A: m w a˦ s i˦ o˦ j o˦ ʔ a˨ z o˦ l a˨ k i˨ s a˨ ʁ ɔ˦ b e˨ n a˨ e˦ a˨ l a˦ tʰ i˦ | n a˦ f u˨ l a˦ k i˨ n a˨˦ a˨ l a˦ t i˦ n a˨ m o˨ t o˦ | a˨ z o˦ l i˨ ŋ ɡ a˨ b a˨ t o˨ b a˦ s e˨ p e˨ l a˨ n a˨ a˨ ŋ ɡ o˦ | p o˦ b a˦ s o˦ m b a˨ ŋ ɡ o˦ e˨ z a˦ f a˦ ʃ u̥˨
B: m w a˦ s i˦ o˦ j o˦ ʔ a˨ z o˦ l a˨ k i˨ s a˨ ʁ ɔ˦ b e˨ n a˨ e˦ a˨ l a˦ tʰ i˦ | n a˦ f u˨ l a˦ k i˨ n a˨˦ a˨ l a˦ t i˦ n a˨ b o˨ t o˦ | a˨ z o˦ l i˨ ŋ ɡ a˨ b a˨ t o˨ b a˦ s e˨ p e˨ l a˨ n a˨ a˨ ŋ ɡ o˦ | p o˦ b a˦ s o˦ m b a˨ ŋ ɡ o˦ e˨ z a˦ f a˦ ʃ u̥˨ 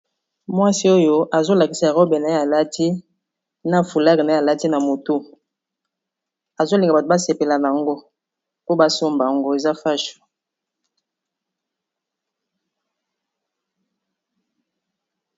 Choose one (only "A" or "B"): A